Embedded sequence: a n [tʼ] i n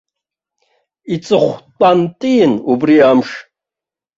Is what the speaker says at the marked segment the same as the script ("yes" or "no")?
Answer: yes